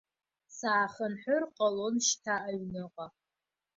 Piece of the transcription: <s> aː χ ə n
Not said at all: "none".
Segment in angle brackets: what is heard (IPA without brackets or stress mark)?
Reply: s